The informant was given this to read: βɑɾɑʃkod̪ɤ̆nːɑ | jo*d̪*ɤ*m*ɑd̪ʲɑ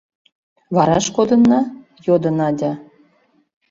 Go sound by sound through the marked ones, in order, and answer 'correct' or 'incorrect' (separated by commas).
correct, incorrect